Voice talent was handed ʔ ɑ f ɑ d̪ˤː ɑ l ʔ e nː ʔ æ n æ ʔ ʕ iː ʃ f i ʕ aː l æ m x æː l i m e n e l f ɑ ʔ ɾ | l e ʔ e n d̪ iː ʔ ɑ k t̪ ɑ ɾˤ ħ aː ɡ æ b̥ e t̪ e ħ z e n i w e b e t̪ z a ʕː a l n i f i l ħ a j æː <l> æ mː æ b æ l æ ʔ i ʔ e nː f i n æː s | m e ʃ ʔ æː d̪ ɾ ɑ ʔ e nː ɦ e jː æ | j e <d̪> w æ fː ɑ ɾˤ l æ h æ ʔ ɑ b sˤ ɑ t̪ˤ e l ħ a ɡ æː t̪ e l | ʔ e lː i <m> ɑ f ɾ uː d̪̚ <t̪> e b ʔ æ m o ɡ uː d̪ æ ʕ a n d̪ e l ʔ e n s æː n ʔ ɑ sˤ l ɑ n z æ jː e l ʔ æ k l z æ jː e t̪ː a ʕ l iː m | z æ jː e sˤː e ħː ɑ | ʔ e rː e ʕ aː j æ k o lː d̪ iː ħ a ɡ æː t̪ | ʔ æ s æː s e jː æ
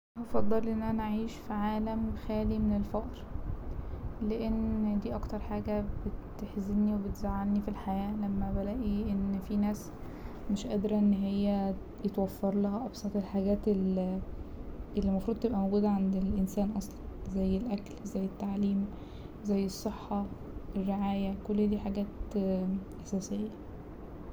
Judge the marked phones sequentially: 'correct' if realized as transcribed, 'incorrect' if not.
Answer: correct, incorrect: t̪, correct, correct

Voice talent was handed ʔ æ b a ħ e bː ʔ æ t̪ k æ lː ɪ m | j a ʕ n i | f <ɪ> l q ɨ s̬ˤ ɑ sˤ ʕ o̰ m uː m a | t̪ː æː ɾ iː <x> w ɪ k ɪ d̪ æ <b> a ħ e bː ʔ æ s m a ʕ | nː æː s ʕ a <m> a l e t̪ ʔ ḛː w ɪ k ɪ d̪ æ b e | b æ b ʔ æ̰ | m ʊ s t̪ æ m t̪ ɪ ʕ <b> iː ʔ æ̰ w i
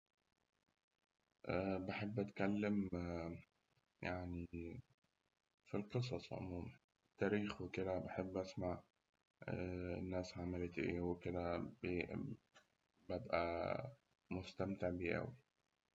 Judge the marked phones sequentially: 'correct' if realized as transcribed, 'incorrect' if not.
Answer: incorrect: i, correct, correct, correct, correct

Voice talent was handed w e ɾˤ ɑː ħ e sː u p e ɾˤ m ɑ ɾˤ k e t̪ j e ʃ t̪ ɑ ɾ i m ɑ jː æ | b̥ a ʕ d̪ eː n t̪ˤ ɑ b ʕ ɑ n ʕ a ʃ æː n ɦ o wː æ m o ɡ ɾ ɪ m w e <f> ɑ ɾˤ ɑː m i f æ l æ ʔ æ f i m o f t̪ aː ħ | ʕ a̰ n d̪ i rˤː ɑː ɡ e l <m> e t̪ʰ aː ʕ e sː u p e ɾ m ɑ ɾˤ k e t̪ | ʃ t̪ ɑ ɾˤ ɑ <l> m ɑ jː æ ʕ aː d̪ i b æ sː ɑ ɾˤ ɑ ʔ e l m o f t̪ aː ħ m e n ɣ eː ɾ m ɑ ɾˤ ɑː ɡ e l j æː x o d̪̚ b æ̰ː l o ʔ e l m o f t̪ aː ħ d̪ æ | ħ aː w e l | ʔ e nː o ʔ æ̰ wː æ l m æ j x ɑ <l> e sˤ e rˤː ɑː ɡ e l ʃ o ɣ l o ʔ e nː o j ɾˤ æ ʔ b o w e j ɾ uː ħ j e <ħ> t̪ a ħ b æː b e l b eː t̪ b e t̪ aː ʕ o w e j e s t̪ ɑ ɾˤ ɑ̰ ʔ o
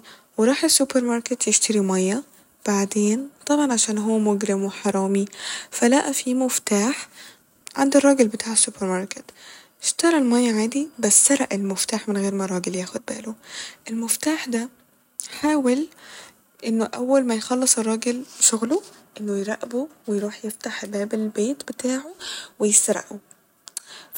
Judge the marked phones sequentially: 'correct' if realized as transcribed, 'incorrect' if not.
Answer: incorrect: ħ, incorrect: b, correct, incorrect: lː, incorrect: f

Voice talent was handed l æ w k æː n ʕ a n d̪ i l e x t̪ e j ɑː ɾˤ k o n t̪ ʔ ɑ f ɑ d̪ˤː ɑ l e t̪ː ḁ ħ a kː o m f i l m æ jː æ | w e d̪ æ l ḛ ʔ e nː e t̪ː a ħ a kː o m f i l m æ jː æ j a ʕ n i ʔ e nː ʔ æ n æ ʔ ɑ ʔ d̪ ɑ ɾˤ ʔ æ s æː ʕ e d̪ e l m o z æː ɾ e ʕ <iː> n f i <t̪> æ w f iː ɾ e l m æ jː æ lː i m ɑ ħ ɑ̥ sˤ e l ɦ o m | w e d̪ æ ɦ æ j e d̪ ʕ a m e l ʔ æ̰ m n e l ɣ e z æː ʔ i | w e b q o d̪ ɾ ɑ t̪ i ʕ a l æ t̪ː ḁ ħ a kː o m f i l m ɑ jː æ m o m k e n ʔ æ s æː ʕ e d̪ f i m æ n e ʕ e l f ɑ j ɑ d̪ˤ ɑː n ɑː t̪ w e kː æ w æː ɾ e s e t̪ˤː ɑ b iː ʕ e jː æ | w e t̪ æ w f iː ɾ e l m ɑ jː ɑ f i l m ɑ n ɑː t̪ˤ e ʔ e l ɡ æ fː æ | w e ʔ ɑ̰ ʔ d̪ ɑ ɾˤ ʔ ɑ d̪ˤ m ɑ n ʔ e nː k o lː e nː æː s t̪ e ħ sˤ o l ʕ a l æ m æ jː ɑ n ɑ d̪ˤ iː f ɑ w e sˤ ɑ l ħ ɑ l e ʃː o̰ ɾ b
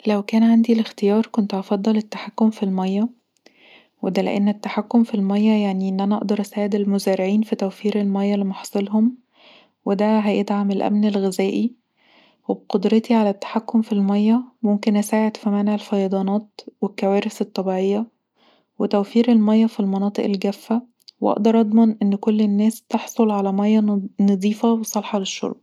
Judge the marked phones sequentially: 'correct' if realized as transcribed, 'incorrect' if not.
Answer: correct, correct

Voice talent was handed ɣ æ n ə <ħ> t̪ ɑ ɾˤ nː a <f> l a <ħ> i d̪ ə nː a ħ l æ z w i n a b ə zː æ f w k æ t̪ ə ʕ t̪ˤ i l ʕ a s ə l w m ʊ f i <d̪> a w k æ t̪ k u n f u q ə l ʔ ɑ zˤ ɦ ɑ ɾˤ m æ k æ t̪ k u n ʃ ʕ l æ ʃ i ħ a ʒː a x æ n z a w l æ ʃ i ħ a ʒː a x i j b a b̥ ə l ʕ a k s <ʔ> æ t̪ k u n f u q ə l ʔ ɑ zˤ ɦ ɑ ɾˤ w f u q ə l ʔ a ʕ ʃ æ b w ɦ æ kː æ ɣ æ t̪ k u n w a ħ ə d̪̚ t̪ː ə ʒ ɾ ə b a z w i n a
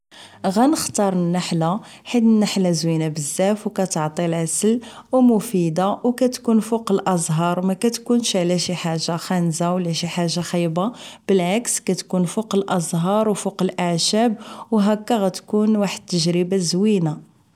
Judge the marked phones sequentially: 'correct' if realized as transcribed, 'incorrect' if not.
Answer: incorrect: x, incorrect: ħ, correct, correct, incorrect: k

